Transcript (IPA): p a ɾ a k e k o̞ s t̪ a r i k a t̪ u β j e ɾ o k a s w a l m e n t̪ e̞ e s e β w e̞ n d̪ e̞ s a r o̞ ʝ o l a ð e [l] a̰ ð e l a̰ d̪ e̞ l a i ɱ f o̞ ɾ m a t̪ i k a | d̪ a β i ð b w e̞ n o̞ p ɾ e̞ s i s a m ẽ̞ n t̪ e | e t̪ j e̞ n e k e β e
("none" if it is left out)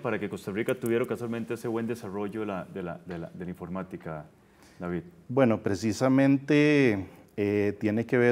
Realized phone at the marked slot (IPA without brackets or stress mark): l